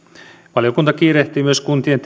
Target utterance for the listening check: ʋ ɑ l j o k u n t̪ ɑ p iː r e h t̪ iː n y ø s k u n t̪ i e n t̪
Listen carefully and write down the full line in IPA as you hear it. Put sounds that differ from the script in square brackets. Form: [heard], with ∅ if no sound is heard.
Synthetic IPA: ʋ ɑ l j o k u n t̪ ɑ [k] iː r e h t̪ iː [m] y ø s k u n t̪ i e n t̪